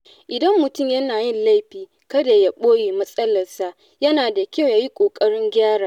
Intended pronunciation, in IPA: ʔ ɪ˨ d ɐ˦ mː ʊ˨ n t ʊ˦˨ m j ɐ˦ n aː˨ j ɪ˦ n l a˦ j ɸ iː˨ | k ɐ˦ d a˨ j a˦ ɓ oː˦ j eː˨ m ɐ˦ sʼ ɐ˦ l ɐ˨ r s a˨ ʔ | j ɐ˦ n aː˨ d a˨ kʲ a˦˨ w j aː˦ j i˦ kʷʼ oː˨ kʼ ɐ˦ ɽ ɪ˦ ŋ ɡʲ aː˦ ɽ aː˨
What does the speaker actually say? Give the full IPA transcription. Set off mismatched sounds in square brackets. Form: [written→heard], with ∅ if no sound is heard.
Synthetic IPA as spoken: ʔ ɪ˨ d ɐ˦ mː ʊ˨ [n→∅] t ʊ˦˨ m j ɐ˦ n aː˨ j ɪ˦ n l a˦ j ɸ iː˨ | k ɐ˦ d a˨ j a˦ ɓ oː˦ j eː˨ m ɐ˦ sʼ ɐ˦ l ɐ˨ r s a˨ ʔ | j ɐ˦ n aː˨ d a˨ kʲ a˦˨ w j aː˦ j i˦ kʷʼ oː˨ kʼ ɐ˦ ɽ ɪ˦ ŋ ɡʲ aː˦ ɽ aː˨